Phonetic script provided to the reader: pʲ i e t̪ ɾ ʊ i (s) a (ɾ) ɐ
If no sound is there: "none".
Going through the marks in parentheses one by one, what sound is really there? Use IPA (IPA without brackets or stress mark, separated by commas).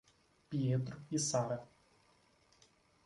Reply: s, ɾ